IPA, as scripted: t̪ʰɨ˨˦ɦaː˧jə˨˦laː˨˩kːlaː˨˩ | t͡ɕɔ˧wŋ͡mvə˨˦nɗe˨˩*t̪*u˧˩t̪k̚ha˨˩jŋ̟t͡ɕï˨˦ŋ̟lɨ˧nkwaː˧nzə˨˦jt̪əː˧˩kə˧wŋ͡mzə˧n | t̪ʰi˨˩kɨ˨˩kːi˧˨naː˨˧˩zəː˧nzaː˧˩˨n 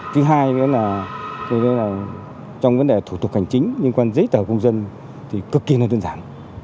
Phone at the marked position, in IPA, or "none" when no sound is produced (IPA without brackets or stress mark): t̪ʰ